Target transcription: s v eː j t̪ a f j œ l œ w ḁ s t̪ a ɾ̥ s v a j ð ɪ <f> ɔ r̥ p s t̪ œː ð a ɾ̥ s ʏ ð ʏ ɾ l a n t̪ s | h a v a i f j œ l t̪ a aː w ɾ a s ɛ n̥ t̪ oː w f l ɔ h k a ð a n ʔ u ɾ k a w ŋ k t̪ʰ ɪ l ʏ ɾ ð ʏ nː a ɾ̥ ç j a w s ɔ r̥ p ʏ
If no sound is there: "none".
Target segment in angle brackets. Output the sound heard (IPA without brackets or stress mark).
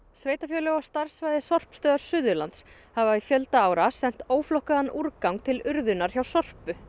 s